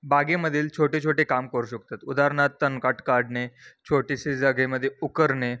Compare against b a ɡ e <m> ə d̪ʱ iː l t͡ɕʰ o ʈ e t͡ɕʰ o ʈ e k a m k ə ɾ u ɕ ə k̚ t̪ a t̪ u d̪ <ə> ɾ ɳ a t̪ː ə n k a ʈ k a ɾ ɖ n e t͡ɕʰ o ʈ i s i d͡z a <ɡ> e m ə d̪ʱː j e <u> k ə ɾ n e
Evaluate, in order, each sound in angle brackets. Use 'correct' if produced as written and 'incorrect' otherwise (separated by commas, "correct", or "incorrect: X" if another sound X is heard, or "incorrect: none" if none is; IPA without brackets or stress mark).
correct, incorrect: a, correct, correct